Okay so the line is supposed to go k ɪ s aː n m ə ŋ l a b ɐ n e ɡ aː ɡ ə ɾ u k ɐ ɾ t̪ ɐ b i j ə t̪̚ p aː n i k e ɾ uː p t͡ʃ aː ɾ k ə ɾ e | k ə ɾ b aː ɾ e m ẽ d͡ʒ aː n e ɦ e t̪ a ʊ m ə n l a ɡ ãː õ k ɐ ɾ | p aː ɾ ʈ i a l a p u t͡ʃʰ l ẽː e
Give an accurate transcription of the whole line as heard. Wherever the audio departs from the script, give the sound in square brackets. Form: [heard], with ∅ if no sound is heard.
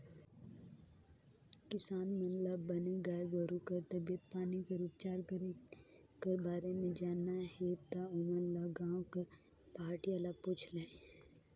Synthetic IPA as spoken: k ɪ s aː n m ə [n] l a b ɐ n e ɡ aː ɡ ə ɾ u k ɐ ɾ t̪ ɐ b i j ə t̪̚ p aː n i k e ɾ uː p t͡ʃ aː ɾ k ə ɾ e | k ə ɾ b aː ɾ e m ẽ d͡ʒ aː n [a] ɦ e t̪ a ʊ m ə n l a ɡ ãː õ k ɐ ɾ | p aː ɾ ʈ i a l a p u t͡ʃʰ l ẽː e

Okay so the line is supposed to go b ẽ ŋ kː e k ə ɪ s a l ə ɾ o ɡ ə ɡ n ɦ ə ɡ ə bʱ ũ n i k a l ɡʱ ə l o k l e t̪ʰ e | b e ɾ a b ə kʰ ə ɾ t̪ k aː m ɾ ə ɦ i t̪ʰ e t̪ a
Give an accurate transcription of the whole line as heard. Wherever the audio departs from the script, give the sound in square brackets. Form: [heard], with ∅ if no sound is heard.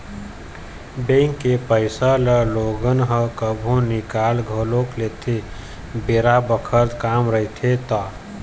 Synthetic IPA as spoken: b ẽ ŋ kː e [p] ə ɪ s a l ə [l] o ɡ ə [∅] n ɦ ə [k] ə bʱ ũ n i k a l ɡʱ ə l o k l e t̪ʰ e | b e ɾ a b ə kʰ ə ɾ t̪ k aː m ɾ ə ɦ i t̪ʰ e t̪ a

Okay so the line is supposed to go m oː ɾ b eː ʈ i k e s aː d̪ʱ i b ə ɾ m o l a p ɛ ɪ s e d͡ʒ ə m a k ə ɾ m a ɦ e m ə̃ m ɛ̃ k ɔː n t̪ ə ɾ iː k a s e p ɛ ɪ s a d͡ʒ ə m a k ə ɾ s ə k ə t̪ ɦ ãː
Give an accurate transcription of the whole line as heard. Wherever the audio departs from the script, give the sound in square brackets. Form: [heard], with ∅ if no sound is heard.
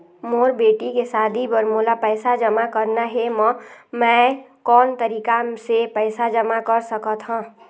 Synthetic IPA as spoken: m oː ɾ b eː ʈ i k e s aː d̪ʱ i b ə ɾ m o l a p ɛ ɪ s [a] d͡ʒ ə m a k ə ɾ [n] a ɦ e m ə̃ m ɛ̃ k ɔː n t̪ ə ɾ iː k a s e p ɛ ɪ s a d͡ʒ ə m a k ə ɾ s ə k ə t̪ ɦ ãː

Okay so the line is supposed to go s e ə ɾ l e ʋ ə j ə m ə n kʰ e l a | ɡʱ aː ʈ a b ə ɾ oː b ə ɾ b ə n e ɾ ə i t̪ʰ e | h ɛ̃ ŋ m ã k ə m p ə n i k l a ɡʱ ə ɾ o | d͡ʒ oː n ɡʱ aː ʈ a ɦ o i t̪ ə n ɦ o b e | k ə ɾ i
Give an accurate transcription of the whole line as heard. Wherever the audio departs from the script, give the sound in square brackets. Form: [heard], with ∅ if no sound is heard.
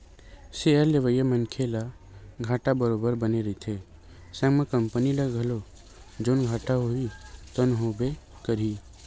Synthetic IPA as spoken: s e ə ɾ l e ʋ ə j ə m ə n kʰ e l a | ɡʱ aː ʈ a b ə ɾ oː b ə ɾ b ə n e ɾ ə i t̪ʰ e | [s] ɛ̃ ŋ m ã k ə m p ə n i [∅] l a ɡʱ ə [l] o | d͡ʒ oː n ɡʱ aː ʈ a ɦ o i t̪ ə n ɦ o b e | k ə ɾ i

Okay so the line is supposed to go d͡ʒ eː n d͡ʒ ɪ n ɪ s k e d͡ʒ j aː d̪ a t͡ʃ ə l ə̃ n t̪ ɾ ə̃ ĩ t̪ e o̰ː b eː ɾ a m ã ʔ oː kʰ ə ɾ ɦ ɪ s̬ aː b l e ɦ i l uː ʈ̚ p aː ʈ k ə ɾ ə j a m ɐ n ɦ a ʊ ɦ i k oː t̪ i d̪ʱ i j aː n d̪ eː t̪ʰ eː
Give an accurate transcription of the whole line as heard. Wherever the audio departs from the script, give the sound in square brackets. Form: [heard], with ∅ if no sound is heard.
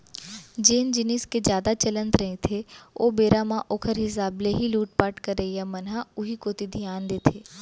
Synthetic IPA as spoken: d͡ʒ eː n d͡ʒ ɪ n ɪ s k e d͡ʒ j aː d̪ a t͡ʃ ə l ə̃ n t̪ ɾ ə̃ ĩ [t̪ʰ] e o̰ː b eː ɾ a m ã ʔ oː kʰ ə ɾ ɦ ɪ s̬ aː b l e ɦ i l uː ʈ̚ p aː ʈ k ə ɾ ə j a m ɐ n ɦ a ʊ ɦ i k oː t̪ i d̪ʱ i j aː n d̪ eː t̪ʰ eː

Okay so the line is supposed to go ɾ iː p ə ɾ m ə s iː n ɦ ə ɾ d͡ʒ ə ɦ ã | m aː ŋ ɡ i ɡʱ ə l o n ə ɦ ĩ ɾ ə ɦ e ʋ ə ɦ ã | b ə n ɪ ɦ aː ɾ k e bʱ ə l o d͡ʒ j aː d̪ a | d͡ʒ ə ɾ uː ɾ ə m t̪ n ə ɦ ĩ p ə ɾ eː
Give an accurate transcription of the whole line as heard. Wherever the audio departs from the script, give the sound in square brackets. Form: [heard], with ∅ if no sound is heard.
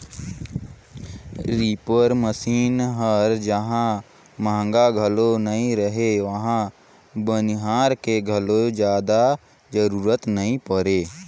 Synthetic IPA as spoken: ɾ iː p ə ɾ m ə s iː n ɦ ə ɾ d͡ʒ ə ɦ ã | m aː ŋ ɡ [a] ɡʱ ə l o n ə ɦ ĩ ɾ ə ɦ e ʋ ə ɦ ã | b ə n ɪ ɦ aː ɾ k e [ɡʱ] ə l o d͡ʒ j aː d̪ a | d͡ʒ ə ɾ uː ɾ ə [∅] t̪ n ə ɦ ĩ p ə ɾ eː

